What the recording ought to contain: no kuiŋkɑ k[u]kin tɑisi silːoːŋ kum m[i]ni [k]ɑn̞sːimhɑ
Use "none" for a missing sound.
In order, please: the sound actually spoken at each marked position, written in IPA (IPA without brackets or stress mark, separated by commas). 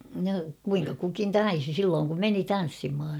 u, e, t